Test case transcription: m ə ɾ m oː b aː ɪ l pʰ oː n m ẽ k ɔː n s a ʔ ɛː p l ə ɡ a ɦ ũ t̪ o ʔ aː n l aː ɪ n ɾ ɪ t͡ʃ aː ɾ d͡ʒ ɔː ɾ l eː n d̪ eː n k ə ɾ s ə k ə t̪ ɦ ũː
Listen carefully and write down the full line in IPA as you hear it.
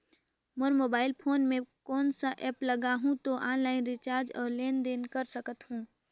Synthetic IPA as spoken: m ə ɾ m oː b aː ɪ l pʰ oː n m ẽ k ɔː n s a ʔ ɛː p l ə ɡ a ɦ ũ t̪ o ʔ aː n l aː ɪ n ɾ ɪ t͡ʃ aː ɾ d͡ʒ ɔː ɾ l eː n d̪ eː n k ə ɾ s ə k ə t̪ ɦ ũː